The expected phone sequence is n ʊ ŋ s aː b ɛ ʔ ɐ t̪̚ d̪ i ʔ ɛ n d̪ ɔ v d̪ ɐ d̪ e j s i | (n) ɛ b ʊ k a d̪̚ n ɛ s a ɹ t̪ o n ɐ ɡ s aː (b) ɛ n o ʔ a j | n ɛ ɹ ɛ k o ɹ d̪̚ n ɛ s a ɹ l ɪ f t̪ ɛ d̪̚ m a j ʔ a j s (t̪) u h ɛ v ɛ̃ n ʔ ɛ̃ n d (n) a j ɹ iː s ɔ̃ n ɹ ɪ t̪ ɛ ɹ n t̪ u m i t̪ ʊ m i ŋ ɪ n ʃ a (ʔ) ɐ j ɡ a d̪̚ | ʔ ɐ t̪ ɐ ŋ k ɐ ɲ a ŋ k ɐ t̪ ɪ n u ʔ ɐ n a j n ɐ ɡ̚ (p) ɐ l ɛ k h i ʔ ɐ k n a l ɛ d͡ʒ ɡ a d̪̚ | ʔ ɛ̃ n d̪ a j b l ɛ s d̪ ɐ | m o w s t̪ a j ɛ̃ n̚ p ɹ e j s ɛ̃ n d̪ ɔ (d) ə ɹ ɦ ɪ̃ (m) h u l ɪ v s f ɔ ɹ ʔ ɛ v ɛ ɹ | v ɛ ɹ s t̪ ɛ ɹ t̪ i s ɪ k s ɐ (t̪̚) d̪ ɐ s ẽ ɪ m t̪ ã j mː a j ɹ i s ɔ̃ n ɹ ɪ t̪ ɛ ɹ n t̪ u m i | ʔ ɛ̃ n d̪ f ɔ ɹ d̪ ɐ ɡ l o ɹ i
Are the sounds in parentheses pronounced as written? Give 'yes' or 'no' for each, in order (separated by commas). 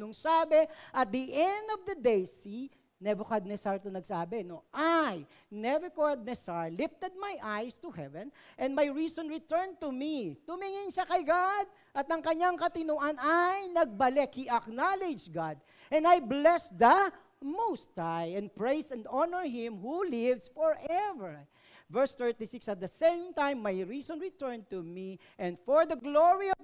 yes, yes, yes, no, no, no, no, yes, yes